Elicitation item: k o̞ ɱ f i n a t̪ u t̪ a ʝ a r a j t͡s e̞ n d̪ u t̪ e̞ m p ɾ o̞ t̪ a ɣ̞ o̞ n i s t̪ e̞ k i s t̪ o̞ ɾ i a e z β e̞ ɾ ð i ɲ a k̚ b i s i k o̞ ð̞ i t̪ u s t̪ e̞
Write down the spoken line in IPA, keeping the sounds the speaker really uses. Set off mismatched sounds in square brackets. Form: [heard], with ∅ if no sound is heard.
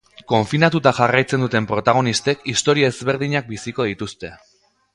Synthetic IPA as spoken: k o̞ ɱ f i n a t̪ u t̪ a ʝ a r a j t͡s e̞ n d̪ u t̪ e̞ m p ɾ o̞ t̪ a ɣ̞ o̞ n i s t̪ e̞ k i s t̪ o̞ ɾ i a e z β e̞ ɾ ð i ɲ a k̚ b i s i k o̞ ð̞ i t̪ u s t̪ e̞

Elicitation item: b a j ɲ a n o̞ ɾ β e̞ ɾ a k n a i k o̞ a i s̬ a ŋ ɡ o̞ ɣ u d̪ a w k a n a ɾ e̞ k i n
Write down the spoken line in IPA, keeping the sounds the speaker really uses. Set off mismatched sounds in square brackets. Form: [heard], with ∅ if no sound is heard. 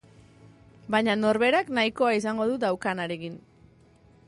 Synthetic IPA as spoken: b a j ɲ a n o̞ ɾ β e̞ ɾ a k n a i k o̞ a i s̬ a ŋ ɡ o̞ [ð] u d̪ a w k a n a ɾ e̞ k i n

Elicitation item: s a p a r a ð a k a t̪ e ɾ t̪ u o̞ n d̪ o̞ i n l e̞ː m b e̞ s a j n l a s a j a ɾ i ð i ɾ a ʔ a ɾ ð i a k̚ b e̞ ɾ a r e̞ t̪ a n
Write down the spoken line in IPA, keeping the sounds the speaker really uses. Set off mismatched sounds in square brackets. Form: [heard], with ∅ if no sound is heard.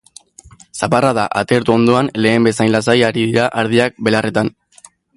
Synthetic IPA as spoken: s a p a r a ð a [ʔ] a t̪ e ɾ t̪ u o̞ n d̪ o̞ [a] n l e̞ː m b e̞ s a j n l a s a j a ɾ i ð i ɾ a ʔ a ɾ ð i a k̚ b e̞ [l] a r e̞ t̪ a n

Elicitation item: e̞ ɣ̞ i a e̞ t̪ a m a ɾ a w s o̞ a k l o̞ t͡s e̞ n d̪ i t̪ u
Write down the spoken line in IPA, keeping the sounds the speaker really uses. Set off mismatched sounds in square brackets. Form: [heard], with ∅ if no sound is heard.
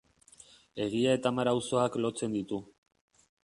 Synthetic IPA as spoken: e̞ ɣ̞ i a e̞ t̪ a m a ɾ a w s o̞ a k l o̞ t͡s e̞ n d̪ i t̪ u

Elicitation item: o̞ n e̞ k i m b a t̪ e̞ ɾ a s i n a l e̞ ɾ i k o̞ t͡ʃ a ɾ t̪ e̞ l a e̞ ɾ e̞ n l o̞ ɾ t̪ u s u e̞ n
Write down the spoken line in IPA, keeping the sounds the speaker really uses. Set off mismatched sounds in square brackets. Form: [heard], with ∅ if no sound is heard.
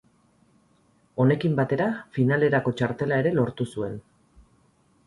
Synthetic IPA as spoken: o̞ n e̞ k i m b a t̪ e̞ ɾ a [f] i n a l e̞ ɾ [a] k o̞ t͡ʃ a ɾ t̪ e̞ l a e̞ ɾ e̞ [∅] l o̞ ɾ t̪ u s u e̞ n

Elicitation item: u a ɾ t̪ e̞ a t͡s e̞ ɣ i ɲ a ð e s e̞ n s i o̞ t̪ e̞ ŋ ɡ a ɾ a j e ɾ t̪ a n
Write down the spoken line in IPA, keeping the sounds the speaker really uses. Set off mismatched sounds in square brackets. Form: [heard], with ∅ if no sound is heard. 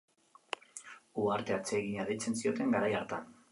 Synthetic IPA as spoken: u a ɾ t̪ e̞ a t͡s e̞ ɣ i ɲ a ð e [t͡s] e̞ n s i o̞ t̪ e̞ ŋ ɡ a ɾ a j [a] ɾ t̪ a n

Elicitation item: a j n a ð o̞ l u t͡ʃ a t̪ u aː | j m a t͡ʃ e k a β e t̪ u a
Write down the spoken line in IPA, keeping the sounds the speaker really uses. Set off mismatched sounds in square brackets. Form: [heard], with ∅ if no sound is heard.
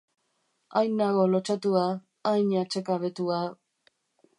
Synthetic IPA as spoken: a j n a [ɣ] o̞ l [o] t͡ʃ a t̪ u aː | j [ɲ] a t͡ʃ e k a β e t̪ u a

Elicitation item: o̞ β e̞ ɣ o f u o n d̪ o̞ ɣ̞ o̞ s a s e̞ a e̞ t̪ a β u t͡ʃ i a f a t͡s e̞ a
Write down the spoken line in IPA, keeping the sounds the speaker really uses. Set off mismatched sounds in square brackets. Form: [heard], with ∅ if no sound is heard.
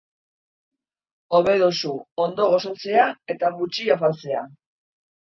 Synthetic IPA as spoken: o̞ β e̞ [ð] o [s] u o n d̪ o̞ ɣ̞ o̞ s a [t͡s] e̞ a e̞ t̪ a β u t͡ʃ i a f a t͡s e̞ a

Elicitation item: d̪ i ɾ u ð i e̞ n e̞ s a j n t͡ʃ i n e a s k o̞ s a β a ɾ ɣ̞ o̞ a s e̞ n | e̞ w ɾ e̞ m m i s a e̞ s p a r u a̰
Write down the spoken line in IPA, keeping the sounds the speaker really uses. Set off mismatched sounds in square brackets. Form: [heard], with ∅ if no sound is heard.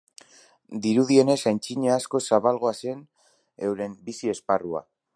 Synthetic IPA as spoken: d̪ i ɾ u ð i e̞ n e̞ s a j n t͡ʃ i [ɲ] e a s k o̞ s a β a [l] ɣ̞ o̞ a s e̞ n | e̞ w ɾ e̞ m [b] i s [i] e̞ s p a r u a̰

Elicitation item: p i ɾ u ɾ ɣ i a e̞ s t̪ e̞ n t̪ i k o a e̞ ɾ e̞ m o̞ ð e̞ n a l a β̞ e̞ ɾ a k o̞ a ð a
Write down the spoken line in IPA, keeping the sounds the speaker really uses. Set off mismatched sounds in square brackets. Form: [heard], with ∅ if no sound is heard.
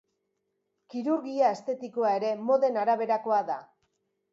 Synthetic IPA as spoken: [k] i ɾ u ɾ ɣ i a e̞ s t̪ e̞ [∅] t̪ i k o a e̞ ɾ e̞ m o̞ ð e̞ n a [ɾ] a β̞ e̞ ɾ a k o̞ a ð a

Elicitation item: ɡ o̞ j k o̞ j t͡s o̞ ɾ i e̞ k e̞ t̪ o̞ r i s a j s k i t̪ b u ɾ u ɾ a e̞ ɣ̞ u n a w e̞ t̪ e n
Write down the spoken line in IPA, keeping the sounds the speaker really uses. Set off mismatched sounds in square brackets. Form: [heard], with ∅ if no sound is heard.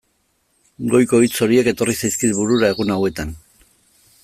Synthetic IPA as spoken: ɡ o̞ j k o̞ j t͡s o̞ ɾ i e̞ k e̞ t̪ o̞ r i s a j s k i t̪ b u ɾ u ɾ a e̞ ɣ̞ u n a w e̞ t̪ [a] n

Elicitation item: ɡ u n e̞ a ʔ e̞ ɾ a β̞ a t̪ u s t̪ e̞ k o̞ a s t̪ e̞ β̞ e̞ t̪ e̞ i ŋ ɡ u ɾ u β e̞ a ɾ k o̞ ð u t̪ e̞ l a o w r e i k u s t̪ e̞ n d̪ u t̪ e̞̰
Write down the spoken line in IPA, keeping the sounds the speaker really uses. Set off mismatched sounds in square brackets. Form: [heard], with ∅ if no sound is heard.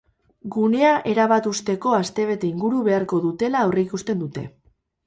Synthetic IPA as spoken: ɡ u n e̞ a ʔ e̞ ɾ a β̞ a t̪ u s t̪ e̞ k o̞ a s t̪ e̞ β̞ e̞ t̪ e̞ i ŋ ɡ u ɾ u β e̞ a ɾ k o̞ ð u t̪ e̞ l a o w r e i k u s t̪ e̞ n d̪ u t̪ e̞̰

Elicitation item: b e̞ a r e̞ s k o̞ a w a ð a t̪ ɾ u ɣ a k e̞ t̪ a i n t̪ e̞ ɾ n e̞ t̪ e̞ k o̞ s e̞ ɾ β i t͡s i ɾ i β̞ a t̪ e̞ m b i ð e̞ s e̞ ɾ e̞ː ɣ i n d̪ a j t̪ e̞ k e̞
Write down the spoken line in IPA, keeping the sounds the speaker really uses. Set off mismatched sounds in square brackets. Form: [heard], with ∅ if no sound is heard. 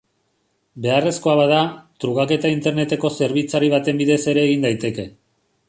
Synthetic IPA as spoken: b e̞ a r e̞ s k o̞ a [β] a ð a t̪ ɾ u ɣ a k e̞ t̪ a i n t̪ e̞ ɾ n e̞ t̪ e̞ k o̞ s e̞ ɾ β i t͡s [a] ɾ i β̞ a t̪ e̞ m b i ð e̞ s e̞ ɾ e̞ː ɣ i n d̪ a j t̪ e̞ k e̞

